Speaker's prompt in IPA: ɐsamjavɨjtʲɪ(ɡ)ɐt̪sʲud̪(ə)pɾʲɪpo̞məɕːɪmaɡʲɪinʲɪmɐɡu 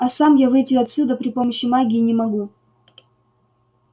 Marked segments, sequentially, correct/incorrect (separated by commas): incorrect, correct